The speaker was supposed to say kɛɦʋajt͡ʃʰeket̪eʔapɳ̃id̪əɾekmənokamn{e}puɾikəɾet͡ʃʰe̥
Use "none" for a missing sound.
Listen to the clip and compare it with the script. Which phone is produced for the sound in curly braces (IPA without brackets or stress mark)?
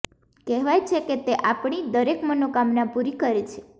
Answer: a